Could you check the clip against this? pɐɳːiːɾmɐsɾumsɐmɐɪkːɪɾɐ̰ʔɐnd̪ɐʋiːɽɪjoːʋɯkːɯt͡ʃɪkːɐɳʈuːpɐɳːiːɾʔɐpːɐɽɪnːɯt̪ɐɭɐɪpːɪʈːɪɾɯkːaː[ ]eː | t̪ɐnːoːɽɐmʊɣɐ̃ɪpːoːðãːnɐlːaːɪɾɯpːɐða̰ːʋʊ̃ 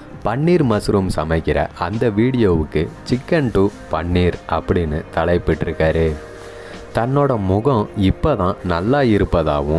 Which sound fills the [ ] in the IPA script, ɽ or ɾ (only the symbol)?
ɾ